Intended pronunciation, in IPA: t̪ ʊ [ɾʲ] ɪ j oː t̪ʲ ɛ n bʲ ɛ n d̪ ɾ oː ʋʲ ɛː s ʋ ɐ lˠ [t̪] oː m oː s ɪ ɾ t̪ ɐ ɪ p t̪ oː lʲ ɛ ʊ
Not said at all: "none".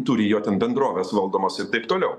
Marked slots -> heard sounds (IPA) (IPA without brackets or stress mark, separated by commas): ɾʲ, d̪